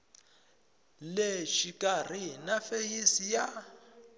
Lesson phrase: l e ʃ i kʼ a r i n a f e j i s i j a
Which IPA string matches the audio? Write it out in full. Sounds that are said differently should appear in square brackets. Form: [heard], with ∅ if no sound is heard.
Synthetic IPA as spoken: l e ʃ i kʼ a r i n a f e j i s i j a